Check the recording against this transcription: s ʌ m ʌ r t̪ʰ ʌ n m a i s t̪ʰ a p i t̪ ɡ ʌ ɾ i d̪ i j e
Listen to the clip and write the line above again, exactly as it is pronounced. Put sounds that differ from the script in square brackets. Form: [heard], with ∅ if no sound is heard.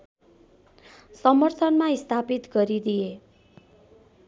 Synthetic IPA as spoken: s ʌ m ʌ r t̪ʰ ʌ n m a i s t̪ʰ a p i t̪ ɡ ʌ ɾ i d̪ i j e